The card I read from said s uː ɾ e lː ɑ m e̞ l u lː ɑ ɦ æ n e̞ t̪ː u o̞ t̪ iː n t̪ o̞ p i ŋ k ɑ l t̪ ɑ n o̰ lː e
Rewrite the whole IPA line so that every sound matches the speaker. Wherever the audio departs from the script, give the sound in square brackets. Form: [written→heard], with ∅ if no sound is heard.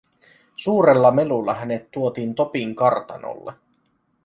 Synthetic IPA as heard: s uː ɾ e lː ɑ m e̞ l u lː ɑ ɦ æ n e̞ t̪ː u o̞ t̪ iː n t̪ o̞ p i ŋ k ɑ [l→r] t̪ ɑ n o̰ lː e

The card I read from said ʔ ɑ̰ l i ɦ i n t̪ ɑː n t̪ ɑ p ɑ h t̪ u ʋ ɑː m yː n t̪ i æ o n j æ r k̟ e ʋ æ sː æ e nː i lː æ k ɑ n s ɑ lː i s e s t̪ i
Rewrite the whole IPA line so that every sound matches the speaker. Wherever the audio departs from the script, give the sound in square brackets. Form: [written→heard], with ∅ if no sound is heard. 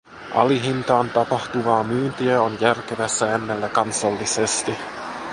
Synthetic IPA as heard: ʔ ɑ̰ l i ɦ i n t̪ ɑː n t̪ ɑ p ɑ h t̪ u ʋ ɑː m yː n t̪ i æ o n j æ r k̟ e ʋ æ sː æ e nː [i→e] lː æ k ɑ n s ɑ lː i s e s t̪ i

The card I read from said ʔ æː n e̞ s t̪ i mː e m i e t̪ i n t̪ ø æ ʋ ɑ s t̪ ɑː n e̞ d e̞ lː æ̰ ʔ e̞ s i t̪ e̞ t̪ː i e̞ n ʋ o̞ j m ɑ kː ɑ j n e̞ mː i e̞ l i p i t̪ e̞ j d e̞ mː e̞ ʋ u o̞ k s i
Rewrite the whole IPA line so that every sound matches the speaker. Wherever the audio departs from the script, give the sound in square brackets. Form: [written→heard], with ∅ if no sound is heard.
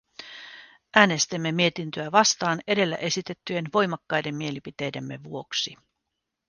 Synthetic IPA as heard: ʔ æː n e̞ s t̪ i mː e m i e t̪ i n t̪ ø æ ʋ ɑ s t̪ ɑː n e̞ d e̞ lː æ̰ ʔ e̞ s i t̪ e̞ t̪ː [i→y] e̞ n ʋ o̞ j m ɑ kː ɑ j [n→d] e̞ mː i e̞ l i p i t̪ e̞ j d e̞ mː e̞ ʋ u o̞ k s i

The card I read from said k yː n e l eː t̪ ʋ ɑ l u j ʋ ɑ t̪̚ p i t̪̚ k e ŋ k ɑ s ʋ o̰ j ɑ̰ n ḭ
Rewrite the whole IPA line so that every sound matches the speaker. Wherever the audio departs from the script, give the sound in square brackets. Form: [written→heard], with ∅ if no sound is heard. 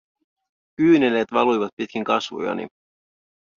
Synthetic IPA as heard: k yː n e l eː t̪ ʋ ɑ l u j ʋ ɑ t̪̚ p i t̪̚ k [e→i] ŋ k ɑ s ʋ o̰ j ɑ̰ n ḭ

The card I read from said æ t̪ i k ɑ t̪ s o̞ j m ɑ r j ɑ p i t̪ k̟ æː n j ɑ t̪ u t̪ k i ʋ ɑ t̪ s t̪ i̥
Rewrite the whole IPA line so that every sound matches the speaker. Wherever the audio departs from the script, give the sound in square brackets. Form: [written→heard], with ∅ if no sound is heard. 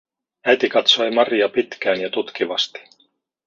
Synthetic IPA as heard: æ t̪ i k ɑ t̪ s o̞ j m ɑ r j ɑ p i t̪ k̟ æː n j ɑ t̪ u t̪ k i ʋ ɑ [t̪→∅] s t̪ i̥

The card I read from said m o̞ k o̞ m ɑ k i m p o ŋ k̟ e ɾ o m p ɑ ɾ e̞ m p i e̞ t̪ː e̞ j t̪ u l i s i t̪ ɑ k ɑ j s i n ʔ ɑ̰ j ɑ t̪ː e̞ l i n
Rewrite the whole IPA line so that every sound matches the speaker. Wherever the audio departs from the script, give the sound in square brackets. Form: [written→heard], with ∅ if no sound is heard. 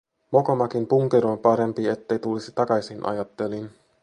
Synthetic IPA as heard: m o̞ k o̞ m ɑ k i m p [o→u] ŋ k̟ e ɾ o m p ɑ ɾ e̞ m p i e̞ t̪ː e̞ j t̪ u l i s i t̪ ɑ k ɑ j s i n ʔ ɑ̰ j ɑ t̪ː e̞ l i n

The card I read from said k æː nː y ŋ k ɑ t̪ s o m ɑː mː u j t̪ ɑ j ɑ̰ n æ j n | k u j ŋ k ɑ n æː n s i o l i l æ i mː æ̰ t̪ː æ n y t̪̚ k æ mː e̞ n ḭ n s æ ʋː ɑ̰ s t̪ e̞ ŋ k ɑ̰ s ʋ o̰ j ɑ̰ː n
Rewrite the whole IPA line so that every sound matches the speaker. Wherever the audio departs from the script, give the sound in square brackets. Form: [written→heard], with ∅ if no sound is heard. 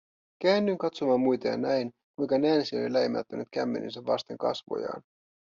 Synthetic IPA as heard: k æː nː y ŋ k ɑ t̪ s o m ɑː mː u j t̪ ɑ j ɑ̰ n æ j n | k u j ŋ k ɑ n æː n s i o l i l æ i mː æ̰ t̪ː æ n y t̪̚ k æ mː e̞ n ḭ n s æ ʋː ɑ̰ s t̪ e̞ ŋ k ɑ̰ s ʋ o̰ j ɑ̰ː n

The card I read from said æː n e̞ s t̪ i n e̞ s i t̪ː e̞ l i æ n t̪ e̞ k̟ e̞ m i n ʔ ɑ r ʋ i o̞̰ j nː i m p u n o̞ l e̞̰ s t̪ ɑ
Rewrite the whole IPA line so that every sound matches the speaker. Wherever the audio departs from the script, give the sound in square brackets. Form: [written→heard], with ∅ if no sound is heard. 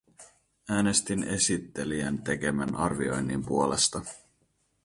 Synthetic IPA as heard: æː n e̞ s t̪ i n e̞ s i t̪ː e̞ l i æ n t̪ e̞ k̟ e̞ m [i→æ] n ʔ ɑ r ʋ i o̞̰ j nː i m p u [n→∅] o̞ l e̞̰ s t̪ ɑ

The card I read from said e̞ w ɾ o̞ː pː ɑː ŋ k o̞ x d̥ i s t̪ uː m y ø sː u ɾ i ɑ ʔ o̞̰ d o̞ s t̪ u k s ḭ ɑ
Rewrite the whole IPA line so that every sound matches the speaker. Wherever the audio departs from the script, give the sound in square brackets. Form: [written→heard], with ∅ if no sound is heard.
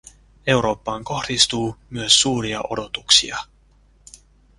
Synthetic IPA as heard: e̞ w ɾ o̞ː pː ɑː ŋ k o̞ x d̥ i s t̪ uː m y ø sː [u→uː] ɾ i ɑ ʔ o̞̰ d o̞ [s→∅] t̪ u k s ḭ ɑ

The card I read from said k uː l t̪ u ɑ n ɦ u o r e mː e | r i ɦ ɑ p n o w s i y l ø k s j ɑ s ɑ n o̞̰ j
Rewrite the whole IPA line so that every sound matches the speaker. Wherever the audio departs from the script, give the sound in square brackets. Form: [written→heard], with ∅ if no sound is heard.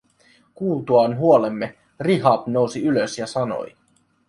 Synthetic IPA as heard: k uː l t̪ u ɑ n ɦ u o [r→l] e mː e | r i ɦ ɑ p n o w s i y l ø [k→∅] s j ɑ s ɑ n o̞̰ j

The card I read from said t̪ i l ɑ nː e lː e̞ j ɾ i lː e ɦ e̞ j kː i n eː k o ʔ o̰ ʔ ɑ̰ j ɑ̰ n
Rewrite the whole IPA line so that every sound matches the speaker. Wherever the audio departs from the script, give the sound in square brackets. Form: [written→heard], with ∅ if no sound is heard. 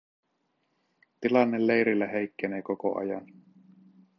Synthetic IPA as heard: t̪ i l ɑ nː e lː e̞ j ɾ i lː [e→æ] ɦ e̞ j kː [i→e] n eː k o [ʔ→k] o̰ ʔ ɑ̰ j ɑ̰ n

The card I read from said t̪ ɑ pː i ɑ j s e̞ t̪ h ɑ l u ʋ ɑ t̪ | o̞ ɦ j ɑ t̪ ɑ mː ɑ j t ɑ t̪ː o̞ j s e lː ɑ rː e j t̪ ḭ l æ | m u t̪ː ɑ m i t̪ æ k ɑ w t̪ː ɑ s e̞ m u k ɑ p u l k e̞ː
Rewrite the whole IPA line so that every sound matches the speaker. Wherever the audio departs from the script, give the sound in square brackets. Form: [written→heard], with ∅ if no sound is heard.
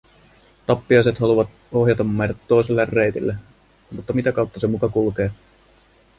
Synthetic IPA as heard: t̪ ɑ pː i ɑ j s e̞ t̪ h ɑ l u ʋ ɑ t̪ | o̞ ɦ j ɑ t̪ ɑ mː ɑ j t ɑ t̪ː o̞ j s e lː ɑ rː e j t̪ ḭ [l→lː] æ | m u t̪ː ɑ m i t̪ æ k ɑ w t̪ː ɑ s e̞ m u k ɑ [p→k] u l k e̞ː

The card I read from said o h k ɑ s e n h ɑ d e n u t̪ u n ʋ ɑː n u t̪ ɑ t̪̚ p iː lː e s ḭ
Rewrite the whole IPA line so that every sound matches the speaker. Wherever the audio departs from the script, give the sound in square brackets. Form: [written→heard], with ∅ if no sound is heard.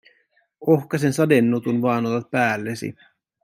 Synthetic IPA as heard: o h k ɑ s e n [h→s] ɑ d e [n→nː] u t̪ u n ʋ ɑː n [u→o] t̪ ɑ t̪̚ p [iː→æː] lː e s ḭ

